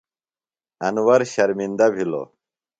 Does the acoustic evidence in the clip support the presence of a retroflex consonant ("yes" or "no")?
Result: no